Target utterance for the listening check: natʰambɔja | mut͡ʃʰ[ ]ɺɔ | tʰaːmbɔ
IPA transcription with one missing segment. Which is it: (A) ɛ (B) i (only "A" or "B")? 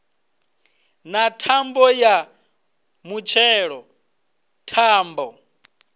A